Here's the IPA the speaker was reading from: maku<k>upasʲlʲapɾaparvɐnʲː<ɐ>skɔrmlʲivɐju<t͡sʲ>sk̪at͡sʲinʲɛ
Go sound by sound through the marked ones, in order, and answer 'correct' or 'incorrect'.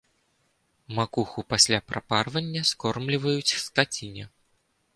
incorrect: x, correct, correct

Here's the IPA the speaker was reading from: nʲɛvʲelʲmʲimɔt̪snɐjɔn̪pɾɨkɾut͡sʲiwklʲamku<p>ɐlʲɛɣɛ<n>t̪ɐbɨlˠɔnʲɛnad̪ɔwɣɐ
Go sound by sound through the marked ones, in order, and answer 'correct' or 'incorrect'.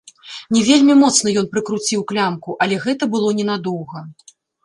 incorrect: ʔ, incorrect: none

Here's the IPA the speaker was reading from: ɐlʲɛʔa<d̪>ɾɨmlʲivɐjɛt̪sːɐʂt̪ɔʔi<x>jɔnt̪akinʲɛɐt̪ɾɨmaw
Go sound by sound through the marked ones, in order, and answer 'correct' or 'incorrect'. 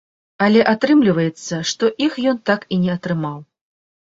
incorrect: t̪, correct

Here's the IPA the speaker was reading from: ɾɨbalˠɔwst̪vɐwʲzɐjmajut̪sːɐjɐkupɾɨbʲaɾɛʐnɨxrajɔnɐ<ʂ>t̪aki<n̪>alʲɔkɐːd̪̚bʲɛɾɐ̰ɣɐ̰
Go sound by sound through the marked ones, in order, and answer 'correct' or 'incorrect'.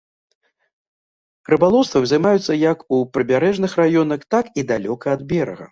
incorrect: x, incorrect: d̪

